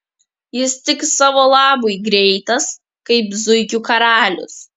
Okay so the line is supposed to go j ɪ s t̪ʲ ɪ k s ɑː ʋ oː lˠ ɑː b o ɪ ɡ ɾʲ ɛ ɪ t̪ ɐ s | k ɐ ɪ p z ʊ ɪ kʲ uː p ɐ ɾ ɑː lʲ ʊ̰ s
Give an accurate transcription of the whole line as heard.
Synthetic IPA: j ɪ s t̪ʲ ɪ k s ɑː ʋ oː lˠ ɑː b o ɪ ɡ ɾʲ ɛ ɪ t̪ ɐ s | k ɐ ɪ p z ʊ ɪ kʲ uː k ɐ ɾ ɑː lʲ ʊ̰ s